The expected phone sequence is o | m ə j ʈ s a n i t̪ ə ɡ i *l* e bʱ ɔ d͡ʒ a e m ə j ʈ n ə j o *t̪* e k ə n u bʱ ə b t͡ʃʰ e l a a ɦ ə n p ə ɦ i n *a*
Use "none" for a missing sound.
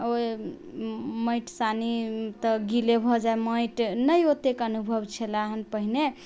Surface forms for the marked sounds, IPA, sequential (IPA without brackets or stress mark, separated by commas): l, t̪, e